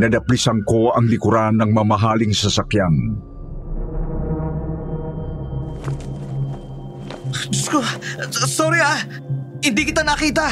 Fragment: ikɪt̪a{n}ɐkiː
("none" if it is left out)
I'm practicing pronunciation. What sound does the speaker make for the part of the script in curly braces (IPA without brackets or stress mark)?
n